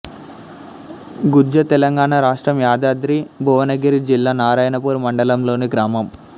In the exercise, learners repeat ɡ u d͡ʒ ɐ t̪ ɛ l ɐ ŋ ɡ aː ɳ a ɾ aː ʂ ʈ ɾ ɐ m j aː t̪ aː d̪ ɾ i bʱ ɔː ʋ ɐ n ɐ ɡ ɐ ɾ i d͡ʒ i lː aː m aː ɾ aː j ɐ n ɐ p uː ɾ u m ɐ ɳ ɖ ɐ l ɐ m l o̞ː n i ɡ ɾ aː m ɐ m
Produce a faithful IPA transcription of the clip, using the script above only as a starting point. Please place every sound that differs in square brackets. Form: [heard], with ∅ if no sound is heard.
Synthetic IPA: ɡ u d͡ʒ ɐ t̪ ɛ l ɐ ŋ ɡ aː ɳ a ɾ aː ʂ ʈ ɾ ɐ m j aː [d̪] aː d̪ ɾ i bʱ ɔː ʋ ɐ n ɐ ɡ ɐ ɾ i d͡ʒ i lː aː [n] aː ɾ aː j ɐ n ɐ p uː ɾ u m ɐ ɳ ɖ ɐ l ɐ m l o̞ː n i ɡ ɾ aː m ɐ m